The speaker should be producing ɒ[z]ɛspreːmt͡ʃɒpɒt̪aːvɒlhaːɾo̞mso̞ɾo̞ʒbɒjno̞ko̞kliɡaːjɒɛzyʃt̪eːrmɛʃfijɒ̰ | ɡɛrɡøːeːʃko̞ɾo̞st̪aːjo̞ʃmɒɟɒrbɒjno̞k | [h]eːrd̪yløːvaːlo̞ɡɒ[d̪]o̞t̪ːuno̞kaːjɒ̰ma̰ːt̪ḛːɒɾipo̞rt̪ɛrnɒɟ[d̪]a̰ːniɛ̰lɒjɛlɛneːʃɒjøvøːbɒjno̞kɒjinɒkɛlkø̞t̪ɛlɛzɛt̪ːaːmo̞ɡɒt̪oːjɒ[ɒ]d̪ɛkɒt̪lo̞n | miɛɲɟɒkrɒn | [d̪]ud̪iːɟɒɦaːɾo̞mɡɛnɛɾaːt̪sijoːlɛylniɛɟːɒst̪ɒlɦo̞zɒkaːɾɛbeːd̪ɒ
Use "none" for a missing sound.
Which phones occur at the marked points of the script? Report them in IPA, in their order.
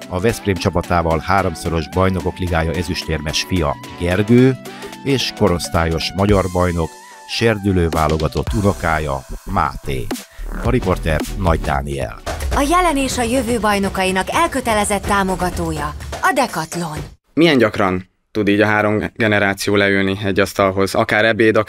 v, ʃ, t̪, d̪, ɒ, t̪

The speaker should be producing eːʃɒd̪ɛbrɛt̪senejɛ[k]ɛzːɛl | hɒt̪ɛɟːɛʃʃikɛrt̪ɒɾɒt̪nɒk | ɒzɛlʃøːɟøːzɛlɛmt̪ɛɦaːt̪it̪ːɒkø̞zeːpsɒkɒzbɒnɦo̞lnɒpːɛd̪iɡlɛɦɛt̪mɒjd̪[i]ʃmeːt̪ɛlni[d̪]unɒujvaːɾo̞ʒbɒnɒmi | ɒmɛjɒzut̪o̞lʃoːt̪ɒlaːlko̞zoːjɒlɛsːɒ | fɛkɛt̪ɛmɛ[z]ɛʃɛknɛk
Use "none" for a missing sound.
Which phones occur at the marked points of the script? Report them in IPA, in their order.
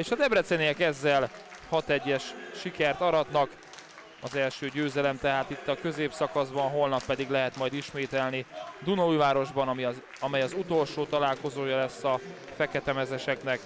k, i, d̪, z

